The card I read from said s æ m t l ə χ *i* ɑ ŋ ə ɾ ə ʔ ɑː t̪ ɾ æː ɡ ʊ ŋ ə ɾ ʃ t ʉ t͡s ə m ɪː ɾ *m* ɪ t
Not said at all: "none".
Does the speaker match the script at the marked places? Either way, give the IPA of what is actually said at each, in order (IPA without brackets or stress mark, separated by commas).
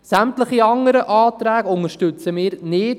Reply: i, n